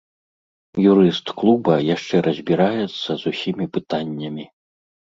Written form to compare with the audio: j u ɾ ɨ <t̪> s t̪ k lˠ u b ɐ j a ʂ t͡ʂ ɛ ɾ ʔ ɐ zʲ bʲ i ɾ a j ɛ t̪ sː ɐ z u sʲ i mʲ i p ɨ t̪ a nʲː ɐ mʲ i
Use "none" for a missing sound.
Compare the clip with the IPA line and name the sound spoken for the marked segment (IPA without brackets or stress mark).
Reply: none